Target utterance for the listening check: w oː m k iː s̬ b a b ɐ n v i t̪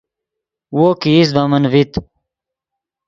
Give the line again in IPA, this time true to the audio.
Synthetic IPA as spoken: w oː k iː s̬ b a m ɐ n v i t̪